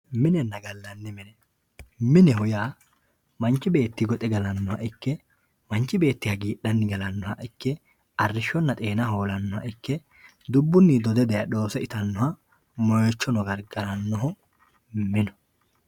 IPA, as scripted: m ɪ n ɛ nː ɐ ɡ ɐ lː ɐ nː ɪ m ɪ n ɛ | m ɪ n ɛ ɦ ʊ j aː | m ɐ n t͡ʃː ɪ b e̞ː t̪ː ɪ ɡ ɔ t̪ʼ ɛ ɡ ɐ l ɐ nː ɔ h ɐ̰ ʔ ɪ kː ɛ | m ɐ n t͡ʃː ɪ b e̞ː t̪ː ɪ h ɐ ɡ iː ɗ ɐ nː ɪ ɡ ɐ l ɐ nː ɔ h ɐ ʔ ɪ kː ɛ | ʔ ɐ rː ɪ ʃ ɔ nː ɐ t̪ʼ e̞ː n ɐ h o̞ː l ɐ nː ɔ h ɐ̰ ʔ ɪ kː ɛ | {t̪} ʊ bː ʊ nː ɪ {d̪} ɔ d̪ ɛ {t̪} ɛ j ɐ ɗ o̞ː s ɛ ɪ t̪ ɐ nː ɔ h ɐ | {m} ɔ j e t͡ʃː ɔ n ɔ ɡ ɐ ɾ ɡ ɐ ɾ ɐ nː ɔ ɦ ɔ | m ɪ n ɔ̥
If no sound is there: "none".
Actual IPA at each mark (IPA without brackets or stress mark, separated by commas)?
d̪, d̪, d̪, m